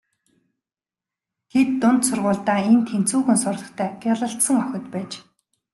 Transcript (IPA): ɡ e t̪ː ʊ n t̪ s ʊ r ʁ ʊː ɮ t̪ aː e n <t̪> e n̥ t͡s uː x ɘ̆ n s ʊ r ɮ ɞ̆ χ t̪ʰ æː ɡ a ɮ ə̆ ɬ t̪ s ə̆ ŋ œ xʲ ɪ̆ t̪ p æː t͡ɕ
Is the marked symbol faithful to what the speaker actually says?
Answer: no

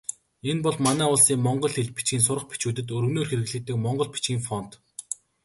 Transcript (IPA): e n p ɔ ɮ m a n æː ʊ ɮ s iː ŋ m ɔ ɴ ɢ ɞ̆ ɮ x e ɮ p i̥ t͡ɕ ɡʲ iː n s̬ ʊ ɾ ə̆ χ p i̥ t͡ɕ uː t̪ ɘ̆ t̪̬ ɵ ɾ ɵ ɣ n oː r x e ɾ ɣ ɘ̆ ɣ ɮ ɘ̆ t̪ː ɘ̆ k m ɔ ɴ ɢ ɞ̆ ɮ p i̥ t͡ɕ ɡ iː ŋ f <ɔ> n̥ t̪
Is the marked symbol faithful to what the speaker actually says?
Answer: yes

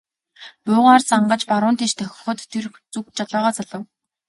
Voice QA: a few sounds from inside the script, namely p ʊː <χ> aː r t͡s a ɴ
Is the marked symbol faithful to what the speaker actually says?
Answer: no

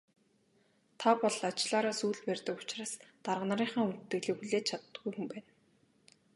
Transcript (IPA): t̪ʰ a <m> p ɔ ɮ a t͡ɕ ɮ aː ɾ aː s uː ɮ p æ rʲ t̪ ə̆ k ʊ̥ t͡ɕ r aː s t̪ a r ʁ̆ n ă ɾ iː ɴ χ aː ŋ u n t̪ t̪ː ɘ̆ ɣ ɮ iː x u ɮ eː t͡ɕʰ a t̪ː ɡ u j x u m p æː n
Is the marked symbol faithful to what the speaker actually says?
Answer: no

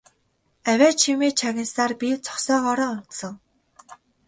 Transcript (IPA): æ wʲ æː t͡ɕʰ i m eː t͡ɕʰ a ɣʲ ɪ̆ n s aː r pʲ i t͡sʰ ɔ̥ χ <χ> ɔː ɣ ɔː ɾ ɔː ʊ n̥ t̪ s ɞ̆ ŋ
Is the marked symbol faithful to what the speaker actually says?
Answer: no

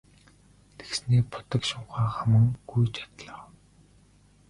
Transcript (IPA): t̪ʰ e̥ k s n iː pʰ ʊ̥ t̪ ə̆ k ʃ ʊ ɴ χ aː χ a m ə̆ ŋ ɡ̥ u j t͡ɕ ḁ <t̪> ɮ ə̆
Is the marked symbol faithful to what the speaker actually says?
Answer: yes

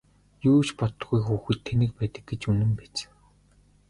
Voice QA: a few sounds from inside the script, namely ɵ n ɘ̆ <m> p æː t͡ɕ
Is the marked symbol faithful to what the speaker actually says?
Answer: yes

